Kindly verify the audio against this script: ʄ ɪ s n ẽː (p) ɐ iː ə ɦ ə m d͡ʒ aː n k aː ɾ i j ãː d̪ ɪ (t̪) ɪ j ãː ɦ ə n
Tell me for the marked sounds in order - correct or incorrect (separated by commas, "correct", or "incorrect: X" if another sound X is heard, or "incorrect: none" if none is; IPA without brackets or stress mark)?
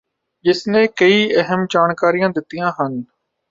incorrect: k, correct